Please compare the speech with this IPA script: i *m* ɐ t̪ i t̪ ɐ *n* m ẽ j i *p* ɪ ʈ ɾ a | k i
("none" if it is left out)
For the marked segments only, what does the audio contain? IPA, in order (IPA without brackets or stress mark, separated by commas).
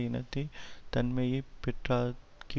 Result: n, n, p